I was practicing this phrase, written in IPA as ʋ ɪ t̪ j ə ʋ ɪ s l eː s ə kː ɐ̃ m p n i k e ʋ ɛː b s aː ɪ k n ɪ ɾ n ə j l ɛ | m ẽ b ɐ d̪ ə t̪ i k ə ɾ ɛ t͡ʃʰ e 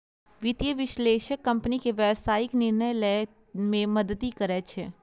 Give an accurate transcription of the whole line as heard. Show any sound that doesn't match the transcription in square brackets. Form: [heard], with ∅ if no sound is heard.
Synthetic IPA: ʋ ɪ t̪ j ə ʋ ɪ [ʃ] l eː [ʃ] ə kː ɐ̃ m p n i k e ʋ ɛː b s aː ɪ k n ɪ ɾ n ə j l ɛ | m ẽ [m] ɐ d̪ ə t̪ i k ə ɾ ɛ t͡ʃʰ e